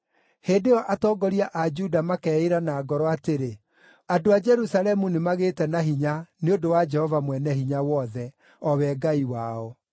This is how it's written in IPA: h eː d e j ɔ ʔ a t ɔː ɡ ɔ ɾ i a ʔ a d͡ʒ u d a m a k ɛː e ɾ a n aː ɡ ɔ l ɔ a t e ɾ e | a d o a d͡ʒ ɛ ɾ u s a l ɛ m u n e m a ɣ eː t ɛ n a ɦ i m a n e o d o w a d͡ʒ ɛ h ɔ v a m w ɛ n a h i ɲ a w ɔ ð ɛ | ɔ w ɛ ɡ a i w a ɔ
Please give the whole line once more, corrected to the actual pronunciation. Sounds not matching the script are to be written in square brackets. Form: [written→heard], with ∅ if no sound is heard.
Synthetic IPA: h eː d e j ɔ ʔ a t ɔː ɡ ɔ ɾ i a ʔ a d͡ʒ u d a m a k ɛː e ɾ a n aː ɡ ɔ [l→ɾ] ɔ a t e ɾ e | a d o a d͡ʒ ɛ ɾ u s a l ɛ m u n e m a ɣ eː t ɛ n a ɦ i [m→ɲ] a n e o d o w a d͡ʒ ɛ h ɔ v a m w ɛ n [a→ɛ] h i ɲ a w ɔ ð ɛ | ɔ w ɛ ɡ a i w a ɔ

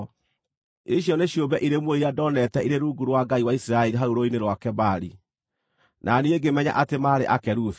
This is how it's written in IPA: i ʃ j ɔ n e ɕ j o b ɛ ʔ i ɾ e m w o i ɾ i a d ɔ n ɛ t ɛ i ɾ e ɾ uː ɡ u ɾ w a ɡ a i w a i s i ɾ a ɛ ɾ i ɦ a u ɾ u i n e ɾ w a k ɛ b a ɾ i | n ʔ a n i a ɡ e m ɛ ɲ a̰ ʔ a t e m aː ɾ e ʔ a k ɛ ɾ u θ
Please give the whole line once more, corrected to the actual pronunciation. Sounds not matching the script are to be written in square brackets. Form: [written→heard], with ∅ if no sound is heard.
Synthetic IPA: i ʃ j ɔ n e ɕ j o b ɛ ʔ i ɾ e m w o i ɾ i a d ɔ n ɛ t ɛ i ɾ e ɾ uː ɡ u ɾ w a ɡ a i w a i s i ɾ a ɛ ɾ i ɦ a u ɾ [u→o] i n e ɾ w a k ɛ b a ɾ i | n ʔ a n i [a→e] ɡ e m ɛ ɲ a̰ ʔ a t e m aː ɾ e ʔ a k ɛ ɾ u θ

